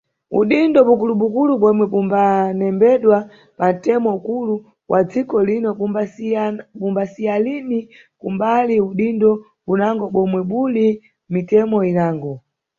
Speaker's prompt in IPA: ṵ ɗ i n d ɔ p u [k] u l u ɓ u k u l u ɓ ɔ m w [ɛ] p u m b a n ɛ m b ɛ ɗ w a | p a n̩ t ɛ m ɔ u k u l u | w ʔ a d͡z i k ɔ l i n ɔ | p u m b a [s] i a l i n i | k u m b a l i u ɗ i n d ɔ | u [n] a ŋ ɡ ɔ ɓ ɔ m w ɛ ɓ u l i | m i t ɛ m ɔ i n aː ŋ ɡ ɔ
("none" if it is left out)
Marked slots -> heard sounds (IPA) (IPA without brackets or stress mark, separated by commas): k, ɛ, s, n